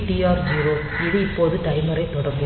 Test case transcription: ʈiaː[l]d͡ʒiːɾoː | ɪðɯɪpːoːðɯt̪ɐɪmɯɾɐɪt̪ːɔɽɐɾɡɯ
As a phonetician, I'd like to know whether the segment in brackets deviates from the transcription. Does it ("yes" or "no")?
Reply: yes